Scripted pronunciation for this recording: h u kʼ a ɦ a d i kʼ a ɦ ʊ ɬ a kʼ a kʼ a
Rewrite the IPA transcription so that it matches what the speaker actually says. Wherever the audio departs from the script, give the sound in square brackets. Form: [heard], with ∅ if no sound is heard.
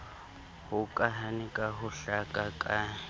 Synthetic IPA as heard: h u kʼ a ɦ a [n] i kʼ a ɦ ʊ ɬ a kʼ a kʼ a